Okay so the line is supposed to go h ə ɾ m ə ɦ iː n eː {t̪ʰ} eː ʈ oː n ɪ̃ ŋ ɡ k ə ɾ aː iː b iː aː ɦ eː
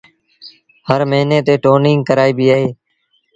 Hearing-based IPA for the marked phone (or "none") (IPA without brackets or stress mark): t̪